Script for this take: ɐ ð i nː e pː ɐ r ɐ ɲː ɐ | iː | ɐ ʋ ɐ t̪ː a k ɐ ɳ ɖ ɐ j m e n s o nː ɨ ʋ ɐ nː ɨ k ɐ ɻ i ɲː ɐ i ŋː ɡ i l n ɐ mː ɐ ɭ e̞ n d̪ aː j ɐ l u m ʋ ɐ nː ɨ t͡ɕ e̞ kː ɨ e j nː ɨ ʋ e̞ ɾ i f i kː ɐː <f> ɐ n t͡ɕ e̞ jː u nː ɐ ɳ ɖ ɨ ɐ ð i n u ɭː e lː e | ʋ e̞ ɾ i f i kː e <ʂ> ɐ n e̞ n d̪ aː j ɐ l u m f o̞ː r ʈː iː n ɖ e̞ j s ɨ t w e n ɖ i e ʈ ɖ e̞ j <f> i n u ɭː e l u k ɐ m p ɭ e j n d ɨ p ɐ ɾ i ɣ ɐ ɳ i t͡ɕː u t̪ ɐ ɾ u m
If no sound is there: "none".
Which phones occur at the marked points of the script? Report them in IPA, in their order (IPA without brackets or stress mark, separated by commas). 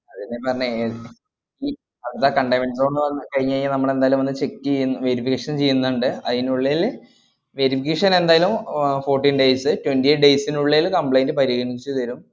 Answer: ʂ, ʂ, s